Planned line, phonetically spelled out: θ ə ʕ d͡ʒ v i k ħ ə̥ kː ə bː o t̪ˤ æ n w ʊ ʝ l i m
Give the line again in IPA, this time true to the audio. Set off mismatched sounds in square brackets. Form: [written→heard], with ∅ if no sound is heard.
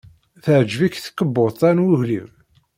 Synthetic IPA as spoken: θ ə ʕ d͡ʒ v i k [ħ→θ] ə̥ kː ə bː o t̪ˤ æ n w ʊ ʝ l i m